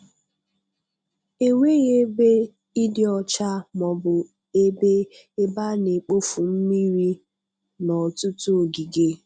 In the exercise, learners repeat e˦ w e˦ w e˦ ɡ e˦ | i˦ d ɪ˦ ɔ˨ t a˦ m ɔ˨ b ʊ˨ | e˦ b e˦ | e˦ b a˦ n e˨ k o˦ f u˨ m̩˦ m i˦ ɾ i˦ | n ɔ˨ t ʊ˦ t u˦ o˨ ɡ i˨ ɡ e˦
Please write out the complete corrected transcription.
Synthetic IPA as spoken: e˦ w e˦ ɣ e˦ b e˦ | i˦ d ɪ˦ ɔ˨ t͡ʃ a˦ m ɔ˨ b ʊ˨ | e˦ b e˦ | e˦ b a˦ n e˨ k͡p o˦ f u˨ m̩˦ m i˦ ɾ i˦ | n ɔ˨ t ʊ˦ t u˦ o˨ ɡ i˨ ɡ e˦